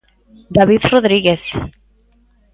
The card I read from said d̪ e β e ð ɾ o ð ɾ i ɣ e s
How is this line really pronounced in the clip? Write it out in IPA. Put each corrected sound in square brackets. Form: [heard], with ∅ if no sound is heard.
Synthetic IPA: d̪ [a] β [i] ð [r] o ð ɾ i ɣ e [θ]

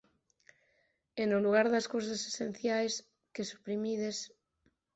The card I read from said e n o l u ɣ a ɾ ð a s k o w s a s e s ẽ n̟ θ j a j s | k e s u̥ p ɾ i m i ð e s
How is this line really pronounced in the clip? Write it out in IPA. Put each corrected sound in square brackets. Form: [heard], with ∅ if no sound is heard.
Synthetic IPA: e n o l u ɣ a ɾ ð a s k o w s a s e s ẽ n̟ θ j a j s | k e s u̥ p ɾ i m i ð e s

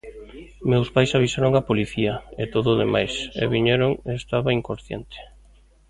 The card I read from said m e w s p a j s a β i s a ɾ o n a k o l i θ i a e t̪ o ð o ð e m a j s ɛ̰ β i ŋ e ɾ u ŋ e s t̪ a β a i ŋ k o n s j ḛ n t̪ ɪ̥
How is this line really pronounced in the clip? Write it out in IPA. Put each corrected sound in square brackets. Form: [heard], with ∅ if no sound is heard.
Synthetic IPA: m e w s p a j s a β i s a ɾ o [ŋ] a [p] o l i θ i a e t̪ o ð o ð e m a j s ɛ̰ β i [ɲ] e ɾ [o] ŋ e s t̪ a β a i ŋ k o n [θ] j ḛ n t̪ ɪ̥

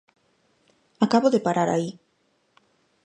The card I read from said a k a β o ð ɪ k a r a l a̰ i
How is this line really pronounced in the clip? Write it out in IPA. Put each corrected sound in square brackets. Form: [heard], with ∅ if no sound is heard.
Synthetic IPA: a k a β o ð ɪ [p] a [ɾ] a [ɾ] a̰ i

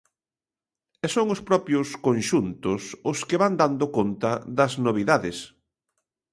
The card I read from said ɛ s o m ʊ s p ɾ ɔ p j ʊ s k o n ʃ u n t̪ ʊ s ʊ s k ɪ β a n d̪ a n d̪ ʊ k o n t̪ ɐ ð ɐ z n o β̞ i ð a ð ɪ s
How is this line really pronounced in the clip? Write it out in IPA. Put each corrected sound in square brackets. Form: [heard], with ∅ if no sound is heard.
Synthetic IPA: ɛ s o [ŋ] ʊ s p ɾ ɔ p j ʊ s k o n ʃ u n t̪ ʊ s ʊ s k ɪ β a n d̪ a n d̪ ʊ k o n t̪ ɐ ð ɐ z n o β̞ i ð a ð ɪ s

